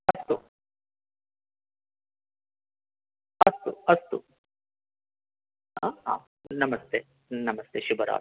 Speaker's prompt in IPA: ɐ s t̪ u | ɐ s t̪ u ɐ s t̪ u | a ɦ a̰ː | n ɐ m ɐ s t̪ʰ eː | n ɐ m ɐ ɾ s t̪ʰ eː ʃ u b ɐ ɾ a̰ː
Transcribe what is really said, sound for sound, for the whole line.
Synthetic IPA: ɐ s t̪ u | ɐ s t̪ u ɐ s t̪ u | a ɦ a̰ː | n ɐ m ɐ s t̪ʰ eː | n ɐ m ɐ s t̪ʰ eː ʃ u b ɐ ɾ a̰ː